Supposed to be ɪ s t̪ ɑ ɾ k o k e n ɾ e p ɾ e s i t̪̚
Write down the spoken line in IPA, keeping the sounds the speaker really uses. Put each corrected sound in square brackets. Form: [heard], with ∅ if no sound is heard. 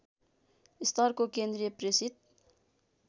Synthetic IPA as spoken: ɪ s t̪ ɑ ɾ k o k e n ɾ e p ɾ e s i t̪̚